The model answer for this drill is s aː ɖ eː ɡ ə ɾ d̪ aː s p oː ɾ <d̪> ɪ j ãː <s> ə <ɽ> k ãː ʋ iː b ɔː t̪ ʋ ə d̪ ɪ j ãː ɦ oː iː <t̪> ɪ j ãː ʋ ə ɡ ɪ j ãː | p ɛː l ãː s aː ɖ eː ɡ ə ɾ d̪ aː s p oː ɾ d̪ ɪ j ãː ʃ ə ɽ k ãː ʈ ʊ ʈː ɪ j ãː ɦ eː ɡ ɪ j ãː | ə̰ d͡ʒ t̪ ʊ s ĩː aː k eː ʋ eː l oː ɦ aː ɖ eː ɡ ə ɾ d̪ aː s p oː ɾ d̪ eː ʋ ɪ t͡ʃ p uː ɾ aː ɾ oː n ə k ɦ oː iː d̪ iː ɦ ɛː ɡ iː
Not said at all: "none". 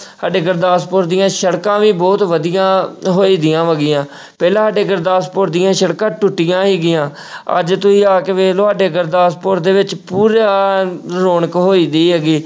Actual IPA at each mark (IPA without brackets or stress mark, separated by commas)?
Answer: d̪, ʃ, ɽ, d̪